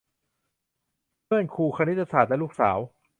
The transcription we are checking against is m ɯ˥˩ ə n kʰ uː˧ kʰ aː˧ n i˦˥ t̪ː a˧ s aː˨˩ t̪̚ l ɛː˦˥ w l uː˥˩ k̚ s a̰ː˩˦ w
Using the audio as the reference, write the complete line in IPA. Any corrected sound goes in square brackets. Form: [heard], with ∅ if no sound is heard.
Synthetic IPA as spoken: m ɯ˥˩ ə n kʰ uː˧ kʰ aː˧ n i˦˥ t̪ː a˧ s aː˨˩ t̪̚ l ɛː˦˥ [∅] l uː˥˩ k̚ s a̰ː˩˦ w